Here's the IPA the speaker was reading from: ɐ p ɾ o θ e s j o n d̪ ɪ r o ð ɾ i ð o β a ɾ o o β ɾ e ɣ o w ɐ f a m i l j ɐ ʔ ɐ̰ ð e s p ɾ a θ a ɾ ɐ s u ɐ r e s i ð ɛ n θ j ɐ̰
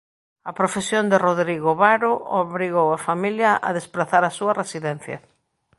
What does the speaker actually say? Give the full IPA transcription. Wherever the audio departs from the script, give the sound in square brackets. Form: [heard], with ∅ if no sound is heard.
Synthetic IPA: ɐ p ɾ o [f] e s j o n d̪ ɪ r o ð ɾ i [ɣ] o β a ɾ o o β ɾ [i] ɣ o w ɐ f a m i l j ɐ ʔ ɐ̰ ð e s p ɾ a θ a ɾ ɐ s u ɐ r e s i ð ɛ n θ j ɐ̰